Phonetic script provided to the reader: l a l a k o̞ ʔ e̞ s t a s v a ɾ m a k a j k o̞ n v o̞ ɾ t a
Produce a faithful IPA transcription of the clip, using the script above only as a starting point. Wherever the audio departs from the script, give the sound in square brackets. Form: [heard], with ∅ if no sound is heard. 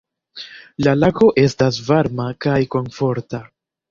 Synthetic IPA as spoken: l a l a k o̞ ʔ e̞ s t a s v a ɾ m a k a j k o̞ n [f] o̞ ɾ t a